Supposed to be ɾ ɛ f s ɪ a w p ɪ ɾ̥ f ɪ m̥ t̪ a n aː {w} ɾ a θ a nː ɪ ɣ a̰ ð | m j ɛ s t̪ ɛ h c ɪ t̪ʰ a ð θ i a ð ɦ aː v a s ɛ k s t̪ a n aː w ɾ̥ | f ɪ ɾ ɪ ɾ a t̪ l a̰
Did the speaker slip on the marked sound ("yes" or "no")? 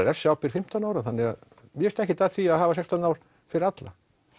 no